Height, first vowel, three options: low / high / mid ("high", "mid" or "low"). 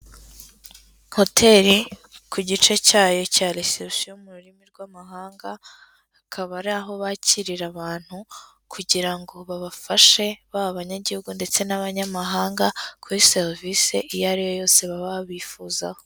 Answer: mid